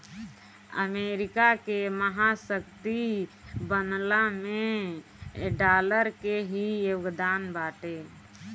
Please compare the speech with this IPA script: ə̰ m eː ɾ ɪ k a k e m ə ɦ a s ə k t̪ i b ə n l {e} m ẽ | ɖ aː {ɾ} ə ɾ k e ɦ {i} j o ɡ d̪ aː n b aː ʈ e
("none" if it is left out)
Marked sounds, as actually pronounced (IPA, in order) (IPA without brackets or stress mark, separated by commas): a, l, i